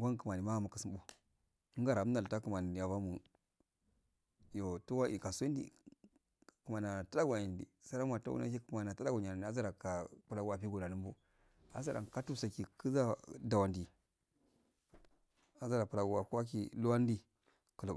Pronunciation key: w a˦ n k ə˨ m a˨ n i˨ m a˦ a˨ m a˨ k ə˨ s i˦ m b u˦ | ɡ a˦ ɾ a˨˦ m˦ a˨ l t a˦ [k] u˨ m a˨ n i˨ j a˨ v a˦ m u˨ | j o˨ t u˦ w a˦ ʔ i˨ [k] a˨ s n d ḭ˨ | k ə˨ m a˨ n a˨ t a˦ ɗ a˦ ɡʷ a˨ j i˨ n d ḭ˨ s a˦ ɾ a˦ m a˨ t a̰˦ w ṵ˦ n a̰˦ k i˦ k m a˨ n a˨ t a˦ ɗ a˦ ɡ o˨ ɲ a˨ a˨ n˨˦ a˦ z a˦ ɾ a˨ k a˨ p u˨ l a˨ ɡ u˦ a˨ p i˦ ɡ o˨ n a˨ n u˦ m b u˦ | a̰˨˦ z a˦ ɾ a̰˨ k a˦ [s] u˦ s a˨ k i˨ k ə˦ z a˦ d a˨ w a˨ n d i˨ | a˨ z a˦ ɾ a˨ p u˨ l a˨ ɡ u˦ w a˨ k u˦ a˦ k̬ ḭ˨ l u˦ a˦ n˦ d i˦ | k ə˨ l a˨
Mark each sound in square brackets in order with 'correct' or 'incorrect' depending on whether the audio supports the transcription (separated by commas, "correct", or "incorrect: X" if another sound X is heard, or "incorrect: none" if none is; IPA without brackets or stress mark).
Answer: correct, correct, incorrect: t